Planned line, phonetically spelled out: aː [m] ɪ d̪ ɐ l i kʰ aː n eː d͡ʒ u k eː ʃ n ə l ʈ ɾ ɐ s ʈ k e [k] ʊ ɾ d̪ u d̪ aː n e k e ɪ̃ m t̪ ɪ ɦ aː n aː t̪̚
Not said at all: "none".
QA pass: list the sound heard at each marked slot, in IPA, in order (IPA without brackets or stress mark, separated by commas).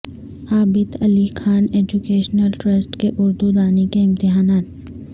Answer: b, ʔ